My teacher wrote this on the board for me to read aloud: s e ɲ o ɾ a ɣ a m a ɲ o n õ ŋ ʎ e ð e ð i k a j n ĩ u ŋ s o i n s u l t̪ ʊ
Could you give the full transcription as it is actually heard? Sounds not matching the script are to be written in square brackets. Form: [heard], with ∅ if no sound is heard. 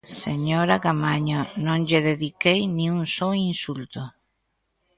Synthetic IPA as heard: s e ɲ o ɾ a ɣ a m a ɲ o n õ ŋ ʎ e ð e ð i k [e] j n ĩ u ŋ s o i n s u l t̪ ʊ